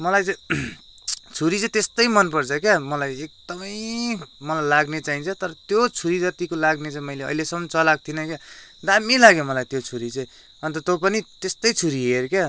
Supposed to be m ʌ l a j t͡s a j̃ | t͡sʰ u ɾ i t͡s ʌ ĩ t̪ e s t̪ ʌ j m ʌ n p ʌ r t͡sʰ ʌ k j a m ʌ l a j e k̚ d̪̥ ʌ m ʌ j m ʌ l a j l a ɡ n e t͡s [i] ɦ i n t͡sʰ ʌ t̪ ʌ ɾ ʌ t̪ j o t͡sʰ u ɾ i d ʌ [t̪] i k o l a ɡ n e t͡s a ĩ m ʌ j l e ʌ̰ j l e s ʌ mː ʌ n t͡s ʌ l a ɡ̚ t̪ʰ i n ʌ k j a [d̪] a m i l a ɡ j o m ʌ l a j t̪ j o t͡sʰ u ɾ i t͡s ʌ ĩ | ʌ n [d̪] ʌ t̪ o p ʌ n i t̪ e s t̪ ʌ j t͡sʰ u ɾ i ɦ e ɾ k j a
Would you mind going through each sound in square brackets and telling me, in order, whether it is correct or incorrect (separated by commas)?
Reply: incorrect, correct, correct, incorrect